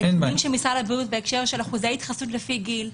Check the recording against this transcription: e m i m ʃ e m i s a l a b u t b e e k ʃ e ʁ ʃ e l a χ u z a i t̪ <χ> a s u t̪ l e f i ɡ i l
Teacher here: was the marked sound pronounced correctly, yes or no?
yes